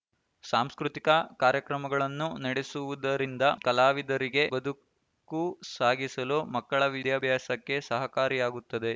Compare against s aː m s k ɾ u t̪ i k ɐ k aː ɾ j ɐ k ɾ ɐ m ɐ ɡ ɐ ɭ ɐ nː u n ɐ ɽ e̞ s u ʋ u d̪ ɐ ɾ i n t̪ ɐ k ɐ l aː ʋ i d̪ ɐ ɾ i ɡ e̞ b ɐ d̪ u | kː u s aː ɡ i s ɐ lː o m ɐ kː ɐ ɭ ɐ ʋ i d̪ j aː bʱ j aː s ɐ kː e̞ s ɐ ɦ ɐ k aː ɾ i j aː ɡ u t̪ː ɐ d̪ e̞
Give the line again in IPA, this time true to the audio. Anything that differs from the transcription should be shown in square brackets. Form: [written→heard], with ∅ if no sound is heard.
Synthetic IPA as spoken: s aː m s k ɾ u t̪ i k ɐ k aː ɾ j ɐ k ɾ ɐ m ɐ ɡ ɐ ɭ ɐ nː u n ɐ ɽ e̞ s u ʋ u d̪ ɐ ɾ i n [t̪→d̪] ɐ k ɐ l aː ʋ i d̪ ɐ ɾ i ɡ e̞ b ɐ d̪ u | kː u s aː ɡ i s ɐ [lː→l] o m ɐ kː ɐ ɭ ɐ ʋ i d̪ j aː bʱ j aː s ɐ kː e̞ s ɐ ɦ ɐ k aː ɾ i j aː ɡ u t̪ː ɐ d̪ e̞

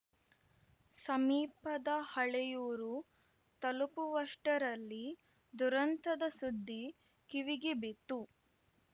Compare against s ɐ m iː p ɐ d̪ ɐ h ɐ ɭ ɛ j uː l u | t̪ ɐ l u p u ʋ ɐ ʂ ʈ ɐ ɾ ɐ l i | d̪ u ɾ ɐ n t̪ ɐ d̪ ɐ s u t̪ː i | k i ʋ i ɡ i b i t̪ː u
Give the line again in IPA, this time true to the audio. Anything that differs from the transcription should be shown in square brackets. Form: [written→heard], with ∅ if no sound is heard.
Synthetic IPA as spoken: s ɐ m iː p ɐ d̪ ɐ h ɐ ɭ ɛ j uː [l→ɾ] u | t̪ ɐ l u p u ʋ ɐ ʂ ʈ ɐ ɾ ɐ [l→lː] i | d̪ u ɾ ɐ n t̪ ɐ d̪ ɐ s u [t̪ː→d̪ː] i | k i ʋ i ɡ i b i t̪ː u

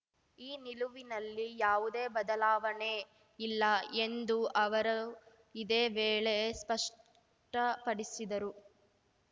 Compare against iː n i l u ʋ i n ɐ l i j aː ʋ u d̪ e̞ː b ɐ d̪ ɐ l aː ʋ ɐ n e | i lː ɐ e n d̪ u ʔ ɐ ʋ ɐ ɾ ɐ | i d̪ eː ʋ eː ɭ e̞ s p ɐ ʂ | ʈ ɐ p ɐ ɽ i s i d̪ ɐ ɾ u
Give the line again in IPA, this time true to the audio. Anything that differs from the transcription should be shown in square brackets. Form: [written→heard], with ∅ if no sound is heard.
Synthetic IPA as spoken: iː n i l u ʋ i n ɐ [l→lː] i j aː ʋ u d̪ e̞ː b ɐ d̪ ɐ l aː ʋ ɐ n e | i lː ɐ e n d̪ u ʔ ɐ ʋ ɐ ɾ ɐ | i d̪ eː ʋ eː ɭ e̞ s p ɐ ʂ | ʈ ɐ p ɐ ɽ i s i d̪ ɐ ɾ u

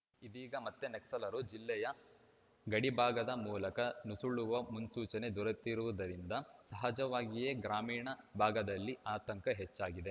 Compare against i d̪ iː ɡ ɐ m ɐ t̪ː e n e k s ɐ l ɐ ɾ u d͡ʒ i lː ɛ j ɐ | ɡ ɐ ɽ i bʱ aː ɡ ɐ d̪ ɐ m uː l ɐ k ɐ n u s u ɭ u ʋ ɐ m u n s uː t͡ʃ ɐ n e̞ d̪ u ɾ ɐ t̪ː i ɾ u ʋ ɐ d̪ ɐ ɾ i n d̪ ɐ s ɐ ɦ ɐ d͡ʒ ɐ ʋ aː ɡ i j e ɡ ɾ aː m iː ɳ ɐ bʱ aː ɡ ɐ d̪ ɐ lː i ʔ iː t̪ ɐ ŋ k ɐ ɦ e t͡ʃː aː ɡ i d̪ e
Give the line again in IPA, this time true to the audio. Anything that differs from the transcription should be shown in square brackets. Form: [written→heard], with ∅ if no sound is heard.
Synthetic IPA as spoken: i d̪ iː ɡ ɐ m ɐ t̪ː e n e k s ɐ l ɐ ɾ u d͡ʒ i lː ɛ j ɐ | ɡ ɐ ɽ i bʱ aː ɡ ɐ d̪ ɐ m uː l ɐ k ɐ n u s u ɭ u ʋ ɐ m u n s uː t͡ʃ ɐ n e̞ d̪ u ɾ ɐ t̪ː i ɾ u ʋ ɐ d̪ ɐ ɾ i n d̪ ɐ s ɐ ɦ ɐ d͡ʒ ɐ ʋ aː ɡ i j e ɡ ɾ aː m iː ɳ ɐ bʱ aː ɡ ɐ d̪ ɐ lː i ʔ [iː→aː] t̪ ɐ ŋ k ɐ ɦ e t͡ʃː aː ɡ i d̪ e

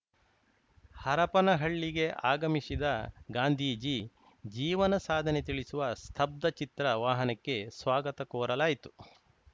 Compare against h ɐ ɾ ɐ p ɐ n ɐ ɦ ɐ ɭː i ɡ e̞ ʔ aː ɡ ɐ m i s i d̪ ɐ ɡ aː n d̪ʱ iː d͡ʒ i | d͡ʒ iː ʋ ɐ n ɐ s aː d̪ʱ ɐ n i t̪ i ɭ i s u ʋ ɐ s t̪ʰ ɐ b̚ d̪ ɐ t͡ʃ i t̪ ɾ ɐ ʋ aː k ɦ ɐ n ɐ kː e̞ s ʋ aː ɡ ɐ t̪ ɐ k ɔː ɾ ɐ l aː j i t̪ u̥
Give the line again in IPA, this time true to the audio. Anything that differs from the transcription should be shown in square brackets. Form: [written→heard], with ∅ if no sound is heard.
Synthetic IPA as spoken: h ɐ ɾ ɐ p ɐ n ɐ ɦ ɐ ɭː i ɡ e̞ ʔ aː ɡ ɐ m i s i d̪ ɐ ɡ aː n d̪ʱ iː d͡ʒ i | d͡ʒ iː ʋ ɐ n ɐ s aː d̪ʱ ɐ n [i→e] t̪ i ɭ i s u ʋ ɐ s t̪ʰ ɐ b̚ d̪ ɐ t͡ʃ i t̪ ɾ ɐ ʋ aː [k→∅] ɦ ɐ n ɐ kː e̞ s ʋ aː ɡ ɐ t̪ ɐ k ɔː ɾ ɐ l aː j i t̪ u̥

